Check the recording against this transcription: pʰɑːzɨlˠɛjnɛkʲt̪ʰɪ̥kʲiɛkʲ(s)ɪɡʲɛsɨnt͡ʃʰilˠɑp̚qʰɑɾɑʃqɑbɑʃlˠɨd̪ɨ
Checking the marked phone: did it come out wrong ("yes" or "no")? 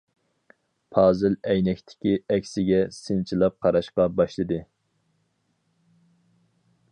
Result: no